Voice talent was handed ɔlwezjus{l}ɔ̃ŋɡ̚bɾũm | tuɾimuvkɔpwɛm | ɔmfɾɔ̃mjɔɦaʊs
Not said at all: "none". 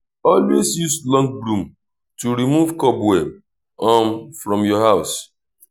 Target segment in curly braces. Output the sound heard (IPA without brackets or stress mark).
l